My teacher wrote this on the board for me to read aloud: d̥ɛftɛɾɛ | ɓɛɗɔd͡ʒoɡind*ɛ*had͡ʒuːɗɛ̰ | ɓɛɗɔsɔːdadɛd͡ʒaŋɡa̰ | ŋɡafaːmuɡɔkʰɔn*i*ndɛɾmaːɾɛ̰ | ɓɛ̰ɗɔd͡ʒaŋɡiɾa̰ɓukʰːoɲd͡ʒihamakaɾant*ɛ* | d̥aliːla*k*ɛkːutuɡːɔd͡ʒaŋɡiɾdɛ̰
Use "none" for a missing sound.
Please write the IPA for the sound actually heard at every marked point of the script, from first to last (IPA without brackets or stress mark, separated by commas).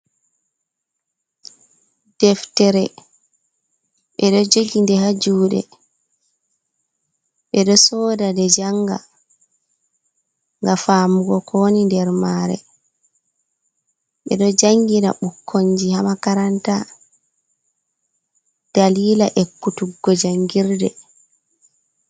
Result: ɛ, i, a, ʔ